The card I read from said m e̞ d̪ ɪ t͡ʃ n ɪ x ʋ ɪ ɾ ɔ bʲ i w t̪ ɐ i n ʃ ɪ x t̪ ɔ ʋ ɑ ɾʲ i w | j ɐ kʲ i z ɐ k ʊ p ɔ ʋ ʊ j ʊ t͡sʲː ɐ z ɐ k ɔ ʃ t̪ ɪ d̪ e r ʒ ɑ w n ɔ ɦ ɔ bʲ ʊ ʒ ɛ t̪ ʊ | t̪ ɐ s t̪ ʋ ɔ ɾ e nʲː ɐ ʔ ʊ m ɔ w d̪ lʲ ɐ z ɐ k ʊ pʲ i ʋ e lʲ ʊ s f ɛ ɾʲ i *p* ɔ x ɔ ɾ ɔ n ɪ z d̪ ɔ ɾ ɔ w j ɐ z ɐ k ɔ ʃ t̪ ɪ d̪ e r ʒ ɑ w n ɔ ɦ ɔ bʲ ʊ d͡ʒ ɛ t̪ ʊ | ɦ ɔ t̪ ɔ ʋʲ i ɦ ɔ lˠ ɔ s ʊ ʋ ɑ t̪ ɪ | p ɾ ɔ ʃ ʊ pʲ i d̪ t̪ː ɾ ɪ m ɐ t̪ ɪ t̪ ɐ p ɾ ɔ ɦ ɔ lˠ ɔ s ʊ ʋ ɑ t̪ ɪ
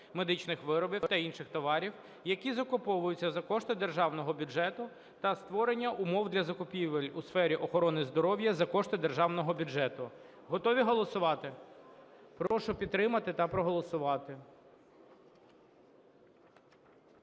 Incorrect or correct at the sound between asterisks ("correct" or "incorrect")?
incorrect